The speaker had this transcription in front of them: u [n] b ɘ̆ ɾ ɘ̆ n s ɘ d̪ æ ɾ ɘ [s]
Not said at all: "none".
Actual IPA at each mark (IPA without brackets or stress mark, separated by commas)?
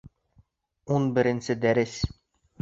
n, s